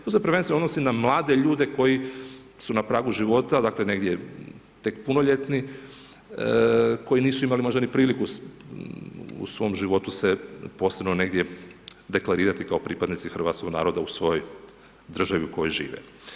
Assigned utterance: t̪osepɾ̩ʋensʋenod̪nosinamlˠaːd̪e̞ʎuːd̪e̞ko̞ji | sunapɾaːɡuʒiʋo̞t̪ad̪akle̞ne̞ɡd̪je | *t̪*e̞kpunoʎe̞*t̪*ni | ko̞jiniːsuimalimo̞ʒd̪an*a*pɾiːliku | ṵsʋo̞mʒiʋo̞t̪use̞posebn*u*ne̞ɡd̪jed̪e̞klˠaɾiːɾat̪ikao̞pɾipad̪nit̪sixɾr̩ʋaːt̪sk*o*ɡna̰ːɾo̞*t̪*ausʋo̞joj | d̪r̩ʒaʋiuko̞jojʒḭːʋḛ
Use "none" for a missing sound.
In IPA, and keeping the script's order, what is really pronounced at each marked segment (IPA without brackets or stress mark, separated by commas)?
t̪, t̪, i, o, o, d̪